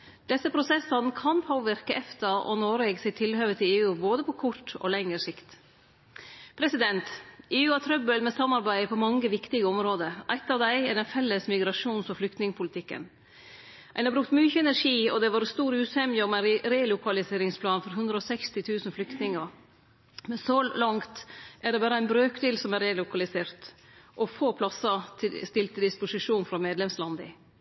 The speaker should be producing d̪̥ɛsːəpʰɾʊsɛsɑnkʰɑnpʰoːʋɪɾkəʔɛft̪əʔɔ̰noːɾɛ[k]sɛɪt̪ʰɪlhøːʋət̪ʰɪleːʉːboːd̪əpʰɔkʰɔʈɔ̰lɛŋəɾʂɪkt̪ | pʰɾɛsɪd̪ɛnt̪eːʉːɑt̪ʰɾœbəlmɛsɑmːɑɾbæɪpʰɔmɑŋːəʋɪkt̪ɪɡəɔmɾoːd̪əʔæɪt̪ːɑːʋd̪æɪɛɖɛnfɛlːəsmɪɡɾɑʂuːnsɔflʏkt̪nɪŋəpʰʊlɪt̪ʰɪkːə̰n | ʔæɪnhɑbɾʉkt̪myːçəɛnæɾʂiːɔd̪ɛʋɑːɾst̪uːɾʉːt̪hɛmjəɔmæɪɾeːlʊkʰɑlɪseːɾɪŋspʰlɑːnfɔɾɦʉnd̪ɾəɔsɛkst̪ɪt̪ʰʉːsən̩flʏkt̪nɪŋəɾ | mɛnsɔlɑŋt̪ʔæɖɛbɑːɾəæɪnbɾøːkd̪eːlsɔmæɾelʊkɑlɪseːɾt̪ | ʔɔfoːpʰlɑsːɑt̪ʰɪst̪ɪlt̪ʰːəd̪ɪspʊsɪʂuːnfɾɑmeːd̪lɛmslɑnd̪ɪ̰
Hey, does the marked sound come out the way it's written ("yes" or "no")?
no